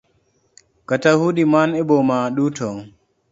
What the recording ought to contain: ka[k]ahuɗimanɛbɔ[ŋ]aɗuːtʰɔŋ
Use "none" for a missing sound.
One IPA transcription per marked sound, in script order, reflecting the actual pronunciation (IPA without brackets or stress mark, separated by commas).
t, m